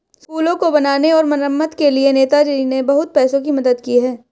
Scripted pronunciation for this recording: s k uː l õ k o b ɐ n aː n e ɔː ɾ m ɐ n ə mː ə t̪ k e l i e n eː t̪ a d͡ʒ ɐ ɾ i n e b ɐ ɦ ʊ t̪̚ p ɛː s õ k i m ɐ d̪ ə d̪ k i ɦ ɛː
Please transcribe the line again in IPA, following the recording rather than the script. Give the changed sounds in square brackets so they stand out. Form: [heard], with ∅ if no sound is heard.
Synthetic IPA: s k uː l õ k o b ɐ n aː n e ɔː ɾ m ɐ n ə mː ə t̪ k e l i e n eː t̪ a d͡ʒ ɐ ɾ i n e b ɐ ɦ ʊ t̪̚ p ɛː s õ k i m ɐ d̪ ə d̪ k i ɦ ɛː